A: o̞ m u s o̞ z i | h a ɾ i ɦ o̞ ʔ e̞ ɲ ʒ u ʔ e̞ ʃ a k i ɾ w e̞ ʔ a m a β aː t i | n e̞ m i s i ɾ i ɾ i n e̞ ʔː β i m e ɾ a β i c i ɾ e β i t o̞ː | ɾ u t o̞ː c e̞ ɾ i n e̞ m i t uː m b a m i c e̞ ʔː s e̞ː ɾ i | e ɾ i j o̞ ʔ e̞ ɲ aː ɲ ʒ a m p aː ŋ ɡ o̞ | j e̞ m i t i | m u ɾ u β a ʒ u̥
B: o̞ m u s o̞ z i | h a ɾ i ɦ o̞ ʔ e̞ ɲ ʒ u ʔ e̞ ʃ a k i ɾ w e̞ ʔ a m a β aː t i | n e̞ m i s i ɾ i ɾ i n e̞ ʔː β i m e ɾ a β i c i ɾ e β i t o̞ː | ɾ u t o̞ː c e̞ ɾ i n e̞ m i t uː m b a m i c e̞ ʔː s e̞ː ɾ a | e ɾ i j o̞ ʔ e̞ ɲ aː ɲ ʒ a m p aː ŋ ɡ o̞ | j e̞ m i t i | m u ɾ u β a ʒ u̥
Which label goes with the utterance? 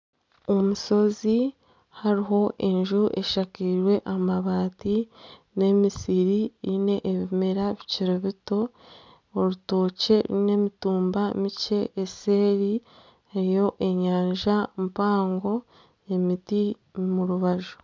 A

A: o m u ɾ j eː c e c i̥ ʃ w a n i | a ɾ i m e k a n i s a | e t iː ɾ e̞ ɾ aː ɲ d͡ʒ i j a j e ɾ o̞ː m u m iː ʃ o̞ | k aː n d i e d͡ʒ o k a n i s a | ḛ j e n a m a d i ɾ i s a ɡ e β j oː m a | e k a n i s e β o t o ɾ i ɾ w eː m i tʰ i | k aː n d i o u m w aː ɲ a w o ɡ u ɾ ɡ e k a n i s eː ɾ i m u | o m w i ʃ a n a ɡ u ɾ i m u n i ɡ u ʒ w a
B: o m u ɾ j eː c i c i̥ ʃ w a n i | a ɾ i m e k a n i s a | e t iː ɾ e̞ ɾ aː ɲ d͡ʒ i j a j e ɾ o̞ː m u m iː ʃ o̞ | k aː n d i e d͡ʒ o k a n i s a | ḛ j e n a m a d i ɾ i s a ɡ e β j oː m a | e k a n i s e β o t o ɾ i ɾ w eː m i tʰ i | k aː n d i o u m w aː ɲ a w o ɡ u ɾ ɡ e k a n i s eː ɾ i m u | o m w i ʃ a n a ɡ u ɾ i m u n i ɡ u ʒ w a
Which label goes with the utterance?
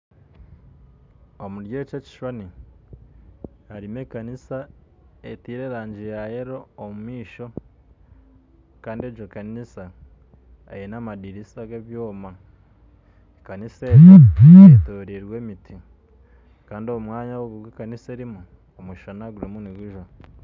A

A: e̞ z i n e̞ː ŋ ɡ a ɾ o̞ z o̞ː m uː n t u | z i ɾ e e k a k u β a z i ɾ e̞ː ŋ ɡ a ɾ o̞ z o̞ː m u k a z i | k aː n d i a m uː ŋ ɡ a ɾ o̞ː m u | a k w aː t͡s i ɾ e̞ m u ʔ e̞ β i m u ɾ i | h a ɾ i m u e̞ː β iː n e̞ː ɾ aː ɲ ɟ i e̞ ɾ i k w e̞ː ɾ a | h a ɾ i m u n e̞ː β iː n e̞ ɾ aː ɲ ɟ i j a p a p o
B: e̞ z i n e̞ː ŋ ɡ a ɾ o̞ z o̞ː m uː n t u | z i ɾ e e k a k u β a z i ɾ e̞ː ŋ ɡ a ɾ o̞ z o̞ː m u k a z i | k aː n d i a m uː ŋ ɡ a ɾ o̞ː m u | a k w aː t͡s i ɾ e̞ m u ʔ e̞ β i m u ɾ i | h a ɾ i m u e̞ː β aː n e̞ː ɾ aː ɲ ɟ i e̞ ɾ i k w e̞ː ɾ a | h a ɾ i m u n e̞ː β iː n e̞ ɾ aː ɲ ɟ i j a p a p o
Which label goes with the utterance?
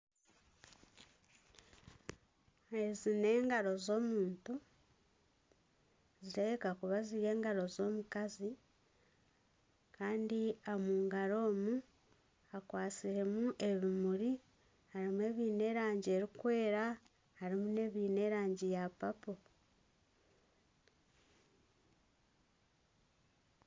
A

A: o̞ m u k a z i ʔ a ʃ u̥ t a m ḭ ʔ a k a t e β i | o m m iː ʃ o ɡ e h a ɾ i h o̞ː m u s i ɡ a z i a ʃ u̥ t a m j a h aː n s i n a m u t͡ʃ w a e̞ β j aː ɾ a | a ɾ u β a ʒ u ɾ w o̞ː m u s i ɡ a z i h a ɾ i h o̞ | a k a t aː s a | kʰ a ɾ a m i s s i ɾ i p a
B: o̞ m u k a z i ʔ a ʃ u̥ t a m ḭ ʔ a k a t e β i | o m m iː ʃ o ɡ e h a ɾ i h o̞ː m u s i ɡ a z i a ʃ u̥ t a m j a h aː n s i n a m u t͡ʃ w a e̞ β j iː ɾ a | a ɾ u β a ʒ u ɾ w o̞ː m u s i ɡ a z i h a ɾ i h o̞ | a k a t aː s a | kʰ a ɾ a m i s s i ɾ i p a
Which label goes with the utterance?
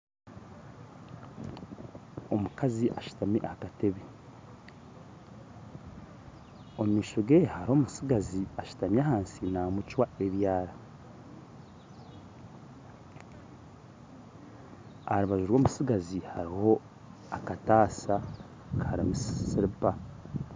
A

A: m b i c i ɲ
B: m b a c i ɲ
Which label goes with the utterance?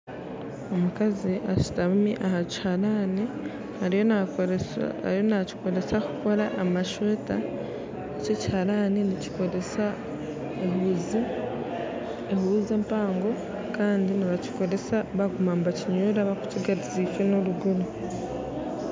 B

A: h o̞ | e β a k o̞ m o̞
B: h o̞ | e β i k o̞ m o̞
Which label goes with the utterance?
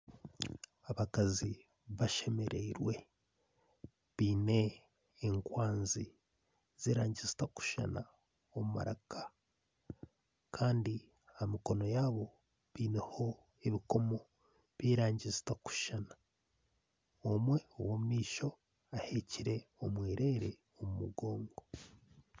B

